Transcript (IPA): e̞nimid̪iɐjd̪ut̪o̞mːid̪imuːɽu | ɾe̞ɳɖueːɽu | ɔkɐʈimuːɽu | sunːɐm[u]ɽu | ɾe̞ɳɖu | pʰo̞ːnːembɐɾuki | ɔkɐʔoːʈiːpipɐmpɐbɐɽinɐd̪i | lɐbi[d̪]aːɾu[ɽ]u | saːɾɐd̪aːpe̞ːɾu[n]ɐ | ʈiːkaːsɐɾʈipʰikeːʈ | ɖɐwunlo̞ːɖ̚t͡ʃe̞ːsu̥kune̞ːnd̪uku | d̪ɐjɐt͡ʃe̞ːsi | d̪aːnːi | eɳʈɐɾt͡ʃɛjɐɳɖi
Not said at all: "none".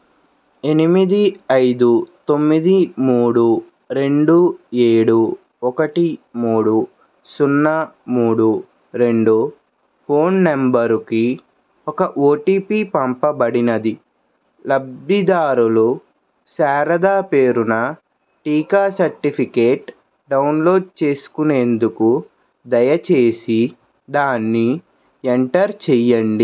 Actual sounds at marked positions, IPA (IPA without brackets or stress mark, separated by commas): uː, d̪, l, n